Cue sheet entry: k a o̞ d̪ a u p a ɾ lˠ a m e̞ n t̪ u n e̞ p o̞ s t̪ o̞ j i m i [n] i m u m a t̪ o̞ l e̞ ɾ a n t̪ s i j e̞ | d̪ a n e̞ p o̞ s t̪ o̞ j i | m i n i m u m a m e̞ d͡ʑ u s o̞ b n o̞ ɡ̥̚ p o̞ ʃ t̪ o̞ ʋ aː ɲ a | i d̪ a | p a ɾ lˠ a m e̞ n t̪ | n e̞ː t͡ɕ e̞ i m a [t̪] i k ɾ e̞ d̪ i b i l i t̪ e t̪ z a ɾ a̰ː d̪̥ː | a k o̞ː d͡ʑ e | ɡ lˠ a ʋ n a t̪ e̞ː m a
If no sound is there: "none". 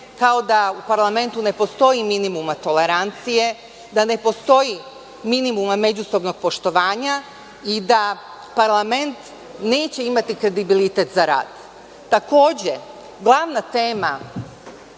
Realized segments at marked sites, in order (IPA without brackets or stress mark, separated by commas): n, t̪